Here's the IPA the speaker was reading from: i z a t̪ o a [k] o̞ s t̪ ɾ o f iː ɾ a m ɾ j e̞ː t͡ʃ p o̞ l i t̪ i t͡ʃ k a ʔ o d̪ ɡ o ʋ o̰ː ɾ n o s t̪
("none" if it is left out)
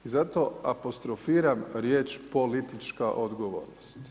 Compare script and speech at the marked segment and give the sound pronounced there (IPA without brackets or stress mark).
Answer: p